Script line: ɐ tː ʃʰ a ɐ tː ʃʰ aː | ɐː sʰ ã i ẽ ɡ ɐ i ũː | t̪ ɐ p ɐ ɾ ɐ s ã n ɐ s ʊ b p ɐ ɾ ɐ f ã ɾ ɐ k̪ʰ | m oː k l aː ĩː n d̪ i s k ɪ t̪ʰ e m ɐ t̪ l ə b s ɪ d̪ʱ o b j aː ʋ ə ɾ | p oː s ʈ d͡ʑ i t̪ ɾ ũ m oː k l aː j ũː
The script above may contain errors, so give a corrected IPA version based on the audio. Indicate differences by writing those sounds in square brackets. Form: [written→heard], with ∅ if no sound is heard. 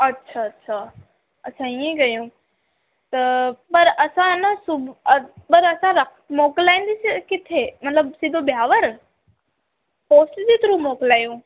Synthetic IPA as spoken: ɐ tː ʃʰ a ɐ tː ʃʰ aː | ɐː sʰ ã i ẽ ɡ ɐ [i→j] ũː | t̪ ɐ p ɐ ɾ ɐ s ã n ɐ s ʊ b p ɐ ɾ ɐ [f→s] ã ɾ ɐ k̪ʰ | m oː k l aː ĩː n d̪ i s k ɪ t̪ʰ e m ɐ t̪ l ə b s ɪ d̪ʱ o b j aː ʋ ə ɾ | p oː s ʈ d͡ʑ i t̪ ɾ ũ m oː k l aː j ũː